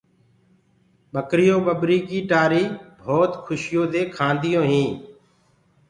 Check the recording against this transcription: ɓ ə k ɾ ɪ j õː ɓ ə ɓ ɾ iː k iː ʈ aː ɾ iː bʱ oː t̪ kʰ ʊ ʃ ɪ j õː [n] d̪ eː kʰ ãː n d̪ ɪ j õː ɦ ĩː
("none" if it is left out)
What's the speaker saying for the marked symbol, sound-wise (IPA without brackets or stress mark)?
none